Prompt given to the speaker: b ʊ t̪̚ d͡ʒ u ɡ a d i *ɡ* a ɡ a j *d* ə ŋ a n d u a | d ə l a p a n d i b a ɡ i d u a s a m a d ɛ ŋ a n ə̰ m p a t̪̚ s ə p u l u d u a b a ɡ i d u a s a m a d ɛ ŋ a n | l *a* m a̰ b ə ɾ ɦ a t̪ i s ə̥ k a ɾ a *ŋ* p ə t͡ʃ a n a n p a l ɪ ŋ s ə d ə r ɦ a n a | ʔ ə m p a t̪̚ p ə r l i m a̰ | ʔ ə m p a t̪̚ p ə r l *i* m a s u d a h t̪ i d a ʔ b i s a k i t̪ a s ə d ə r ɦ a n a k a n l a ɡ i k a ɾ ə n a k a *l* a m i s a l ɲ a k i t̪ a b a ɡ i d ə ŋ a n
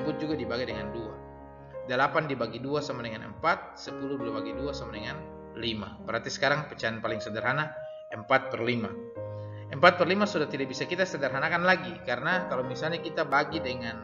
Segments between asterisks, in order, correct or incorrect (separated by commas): incorrect, correct, incorrect, correct, correct, correct